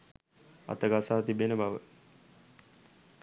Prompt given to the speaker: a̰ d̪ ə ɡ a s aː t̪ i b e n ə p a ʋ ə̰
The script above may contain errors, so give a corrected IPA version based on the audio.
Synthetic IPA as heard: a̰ t̪ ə ɡ a s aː t̪ i b e n ə b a ʋ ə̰